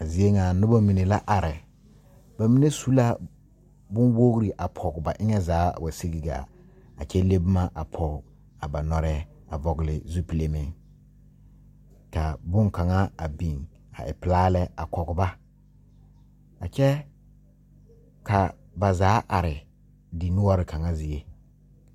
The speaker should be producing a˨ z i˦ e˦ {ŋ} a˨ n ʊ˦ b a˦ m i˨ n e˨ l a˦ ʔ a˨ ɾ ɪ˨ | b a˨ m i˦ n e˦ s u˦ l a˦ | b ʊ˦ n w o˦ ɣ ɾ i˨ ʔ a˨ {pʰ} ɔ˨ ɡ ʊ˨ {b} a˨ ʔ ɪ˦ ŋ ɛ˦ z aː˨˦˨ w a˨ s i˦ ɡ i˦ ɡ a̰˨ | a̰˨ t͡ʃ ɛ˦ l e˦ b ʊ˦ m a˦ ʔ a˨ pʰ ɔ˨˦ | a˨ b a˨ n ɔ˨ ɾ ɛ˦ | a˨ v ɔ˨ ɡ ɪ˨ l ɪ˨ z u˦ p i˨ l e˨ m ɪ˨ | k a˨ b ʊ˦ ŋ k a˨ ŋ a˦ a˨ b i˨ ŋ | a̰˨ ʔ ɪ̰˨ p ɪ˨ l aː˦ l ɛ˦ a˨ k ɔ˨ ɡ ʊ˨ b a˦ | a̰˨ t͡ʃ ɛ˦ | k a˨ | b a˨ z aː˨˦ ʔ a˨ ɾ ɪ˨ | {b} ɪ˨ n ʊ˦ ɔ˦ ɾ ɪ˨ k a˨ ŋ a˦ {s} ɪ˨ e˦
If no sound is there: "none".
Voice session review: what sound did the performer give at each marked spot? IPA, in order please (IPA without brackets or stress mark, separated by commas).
ŋ, pʰ, b, d, z